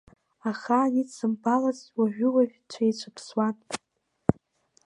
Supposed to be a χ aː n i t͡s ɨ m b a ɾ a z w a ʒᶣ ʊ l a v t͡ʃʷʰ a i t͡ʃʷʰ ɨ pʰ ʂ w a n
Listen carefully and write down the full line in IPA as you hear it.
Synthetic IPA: a χ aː n i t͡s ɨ m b a l a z w a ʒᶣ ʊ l a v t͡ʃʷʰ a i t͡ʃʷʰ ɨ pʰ s w a n